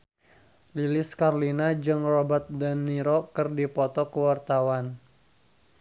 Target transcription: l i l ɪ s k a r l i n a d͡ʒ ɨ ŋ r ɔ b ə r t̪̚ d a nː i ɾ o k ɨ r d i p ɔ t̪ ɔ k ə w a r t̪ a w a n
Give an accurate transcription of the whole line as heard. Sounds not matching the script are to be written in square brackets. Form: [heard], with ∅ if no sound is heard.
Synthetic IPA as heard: l i l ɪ s k a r l i n a d͡ʒ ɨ ŋ r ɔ b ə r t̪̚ d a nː i ɾ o k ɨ r d i p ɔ t̪ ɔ k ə w a r t̪ a w a n

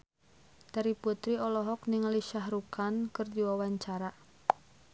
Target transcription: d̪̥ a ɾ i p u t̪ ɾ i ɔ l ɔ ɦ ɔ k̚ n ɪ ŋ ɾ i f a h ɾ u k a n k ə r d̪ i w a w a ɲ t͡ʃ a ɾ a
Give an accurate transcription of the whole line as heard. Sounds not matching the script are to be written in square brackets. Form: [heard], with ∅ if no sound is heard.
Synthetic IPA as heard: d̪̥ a ɾ i p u t̪ ɾ i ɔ l ɔ ɦ ɔ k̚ n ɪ ŋ [l] i [ʃ] a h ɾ u k a n k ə r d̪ i w a w a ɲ t͡ʃ a ɾ a

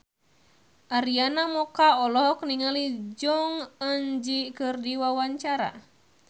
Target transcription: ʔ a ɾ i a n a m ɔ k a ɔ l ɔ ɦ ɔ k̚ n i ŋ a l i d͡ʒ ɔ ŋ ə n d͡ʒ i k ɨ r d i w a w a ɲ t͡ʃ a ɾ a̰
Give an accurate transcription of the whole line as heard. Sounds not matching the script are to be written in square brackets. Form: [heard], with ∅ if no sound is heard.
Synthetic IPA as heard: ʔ a ɾ i a n a m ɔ k a ɔ l ɔ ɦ ɔ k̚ n i ŋ a l i d͡ʒ ɔ ŋ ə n d͡ʒ i k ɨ r d i w a w a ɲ t͡ʃ a ɾ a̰

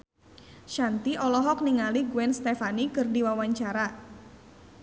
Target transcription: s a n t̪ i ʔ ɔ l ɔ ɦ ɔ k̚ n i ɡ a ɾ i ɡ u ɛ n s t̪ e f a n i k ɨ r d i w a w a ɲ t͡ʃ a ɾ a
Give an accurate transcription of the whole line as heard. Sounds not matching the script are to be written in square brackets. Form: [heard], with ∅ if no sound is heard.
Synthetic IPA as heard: [ʃ] a n t̪ i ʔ ɔ l ɔ ɦ ɔ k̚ n i [ŋ] a [l] i ɡ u ɛ n s t̪ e f a n i k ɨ r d i w a w a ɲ t͡ʃ a ɾ a

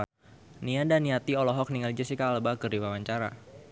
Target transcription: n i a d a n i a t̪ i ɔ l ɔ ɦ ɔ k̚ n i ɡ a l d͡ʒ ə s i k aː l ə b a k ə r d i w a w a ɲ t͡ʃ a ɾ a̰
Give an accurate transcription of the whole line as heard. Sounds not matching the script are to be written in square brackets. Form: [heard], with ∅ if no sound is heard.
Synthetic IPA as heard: n i a d a n i a t̪ i ɔ l ɔ ɦ ɔ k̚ n i [ŋ] a l d͡ʒ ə s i k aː l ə b a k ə r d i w a w a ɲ t͡ʃ a ɾ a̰

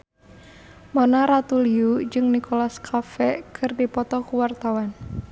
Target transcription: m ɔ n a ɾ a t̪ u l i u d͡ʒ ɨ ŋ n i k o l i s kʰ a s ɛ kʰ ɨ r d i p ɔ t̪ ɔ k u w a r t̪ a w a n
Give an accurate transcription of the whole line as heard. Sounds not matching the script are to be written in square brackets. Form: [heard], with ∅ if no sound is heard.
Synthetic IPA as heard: m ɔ n a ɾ a t̪ u l i u d͡ʒ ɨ ŋ n i k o l [a] s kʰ a [f] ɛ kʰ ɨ r d i p ɔ t̪ ɔ k u w a r t̪ a w a n

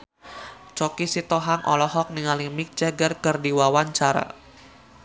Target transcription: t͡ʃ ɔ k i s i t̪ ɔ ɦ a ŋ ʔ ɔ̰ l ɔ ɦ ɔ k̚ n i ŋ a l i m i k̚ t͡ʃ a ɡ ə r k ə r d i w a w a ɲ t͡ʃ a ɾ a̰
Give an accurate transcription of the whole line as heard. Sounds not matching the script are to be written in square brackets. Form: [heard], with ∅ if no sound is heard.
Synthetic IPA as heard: t͡ʃ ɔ k i s i t̪ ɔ ɦ a ŋ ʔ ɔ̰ l ɔ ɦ ɔ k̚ n i ŋ a l i m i k̚ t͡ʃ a ɡ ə r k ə r d i w a w a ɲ t͡ʃ a ɾ a̰

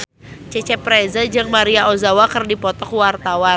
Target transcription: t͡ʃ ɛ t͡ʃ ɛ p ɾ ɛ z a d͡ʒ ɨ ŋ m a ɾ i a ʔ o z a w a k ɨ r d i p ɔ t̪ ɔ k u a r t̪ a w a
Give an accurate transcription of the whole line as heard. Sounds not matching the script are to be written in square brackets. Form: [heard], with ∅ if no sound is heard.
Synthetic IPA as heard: t͡ʃ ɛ t͡ʃ ɛ p ɾ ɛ z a d͡ʒ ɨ ŋ m a ɾ i a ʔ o z a w a k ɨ r d i p ɔ t̪ ɔ k [w] a r t̪ a w a

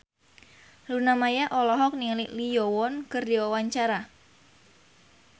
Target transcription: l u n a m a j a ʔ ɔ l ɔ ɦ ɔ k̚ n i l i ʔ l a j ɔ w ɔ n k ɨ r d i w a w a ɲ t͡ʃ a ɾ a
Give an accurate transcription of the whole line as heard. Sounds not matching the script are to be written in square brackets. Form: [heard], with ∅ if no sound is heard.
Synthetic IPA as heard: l u n a m a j a ʔ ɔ l ɔ ɦ ɔ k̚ n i l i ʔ l [i] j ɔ w ɔ n k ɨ r d i w a w a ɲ t͡ʃ a ɾ a

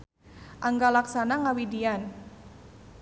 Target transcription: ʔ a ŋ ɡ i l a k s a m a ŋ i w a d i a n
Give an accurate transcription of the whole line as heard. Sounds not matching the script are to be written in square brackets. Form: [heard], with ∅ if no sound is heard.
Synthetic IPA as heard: ʔ a ŋ ɡ [a] l a k s a [n] a ŋ [a] w [i] d i a n

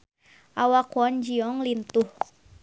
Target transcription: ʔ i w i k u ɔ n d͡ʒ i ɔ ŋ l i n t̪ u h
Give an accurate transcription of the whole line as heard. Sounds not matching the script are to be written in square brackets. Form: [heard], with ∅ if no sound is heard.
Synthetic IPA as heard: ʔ [a] w [a] k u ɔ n d͡ʒ i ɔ ŋ l i n t̪ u h

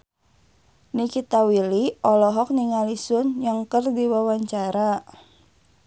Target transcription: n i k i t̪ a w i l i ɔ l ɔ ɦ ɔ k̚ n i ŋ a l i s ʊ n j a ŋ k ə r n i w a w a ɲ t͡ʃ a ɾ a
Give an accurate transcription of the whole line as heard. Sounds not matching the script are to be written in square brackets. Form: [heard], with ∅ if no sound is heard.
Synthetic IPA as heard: n i k i t̪ a w i l i ɔ l ɔ ɦ ɔ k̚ n i ŋ a l i s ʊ n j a ŋ k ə r [d] i w a w a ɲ t͡ʃ a ɾ a

